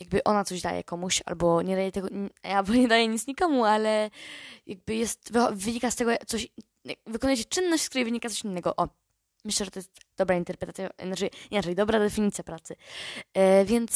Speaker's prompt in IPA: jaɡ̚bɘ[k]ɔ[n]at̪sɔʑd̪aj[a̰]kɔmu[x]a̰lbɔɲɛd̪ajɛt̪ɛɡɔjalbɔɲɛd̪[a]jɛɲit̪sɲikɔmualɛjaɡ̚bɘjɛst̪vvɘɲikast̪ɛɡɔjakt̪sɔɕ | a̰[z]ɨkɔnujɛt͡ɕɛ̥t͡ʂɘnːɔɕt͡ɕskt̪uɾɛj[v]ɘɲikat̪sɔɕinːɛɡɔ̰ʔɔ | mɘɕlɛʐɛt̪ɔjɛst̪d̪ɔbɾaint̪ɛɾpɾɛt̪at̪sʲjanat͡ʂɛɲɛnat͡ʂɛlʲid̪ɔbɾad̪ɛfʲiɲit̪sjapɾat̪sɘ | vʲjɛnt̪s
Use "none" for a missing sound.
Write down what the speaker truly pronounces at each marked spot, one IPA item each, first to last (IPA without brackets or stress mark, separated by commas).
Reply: ʔ, n, ɛ̰, ɕ, a, v, v